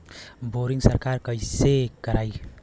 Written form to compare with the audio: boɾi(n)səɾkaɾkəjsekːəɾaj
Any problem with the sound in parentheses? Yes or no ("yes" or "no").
yes